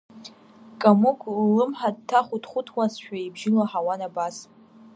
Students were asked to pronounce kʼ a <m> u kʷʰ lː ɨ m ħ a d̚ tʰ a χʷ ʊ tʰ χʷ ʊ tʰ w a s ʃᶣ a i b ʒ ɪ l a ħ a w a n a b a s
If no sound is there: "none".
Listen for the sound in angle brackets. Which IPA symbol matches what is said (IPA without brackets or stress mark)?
m